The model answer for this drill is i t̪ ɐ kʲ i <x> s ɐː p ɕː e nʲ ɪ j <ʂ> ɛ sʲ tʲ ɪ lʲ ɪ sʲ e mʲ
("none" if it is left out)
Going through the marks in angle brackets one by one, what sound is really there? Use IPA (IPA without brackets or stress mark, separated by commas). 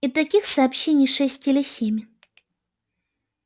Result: x, ʂ